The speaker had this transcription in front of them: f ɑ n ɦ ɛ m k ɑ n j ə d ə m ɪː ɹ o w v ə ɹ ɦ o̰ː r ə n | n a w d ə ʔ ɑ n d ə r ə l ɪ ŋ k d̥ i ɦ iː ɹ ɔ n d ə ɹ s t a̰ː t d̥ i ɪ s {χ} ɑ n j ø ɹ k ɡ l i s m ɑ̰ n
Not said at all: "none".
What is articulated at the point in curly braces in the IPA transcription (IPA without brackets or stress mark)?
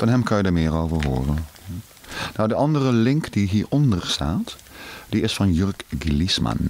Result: f